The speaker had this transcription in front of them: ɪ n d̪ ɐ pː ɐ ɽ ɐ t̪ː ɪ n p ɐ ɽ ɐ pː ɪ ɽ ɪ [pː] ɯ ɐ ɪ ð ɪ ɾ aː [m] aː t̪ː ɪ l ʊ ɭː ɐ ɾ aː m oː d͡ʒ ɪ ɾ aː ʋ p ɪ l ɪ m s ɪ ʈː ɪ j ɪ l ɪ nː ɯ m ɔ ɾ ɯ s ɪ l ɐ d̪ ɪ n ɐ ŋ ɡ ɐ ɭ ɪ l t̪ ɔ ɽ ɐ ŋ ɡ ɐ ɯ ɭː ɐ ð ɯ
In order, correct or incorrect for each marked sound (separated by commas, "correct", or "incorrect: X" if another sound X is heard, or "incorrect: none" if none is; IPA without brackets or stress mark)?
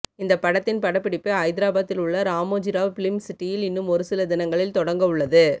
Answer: correct, incorrect: b